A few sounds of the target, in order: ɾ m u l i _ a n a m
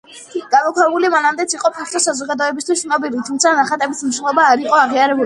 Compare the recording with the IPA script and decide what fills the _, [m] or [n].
m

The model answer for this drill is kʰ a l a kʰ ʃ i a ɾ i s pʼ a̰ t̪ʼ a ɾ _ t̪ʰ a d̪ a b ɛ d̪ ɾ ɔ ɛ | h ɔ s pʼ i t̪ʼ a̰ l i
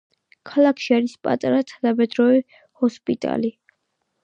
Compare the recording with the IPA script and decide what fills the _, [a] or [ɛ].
a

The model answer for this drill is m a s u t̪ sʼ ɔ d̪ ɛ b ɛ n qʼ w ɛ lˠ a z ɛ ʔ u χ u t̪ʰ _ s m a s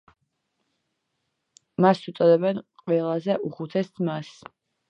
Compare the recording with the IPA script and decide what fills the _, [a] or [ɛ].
ɛ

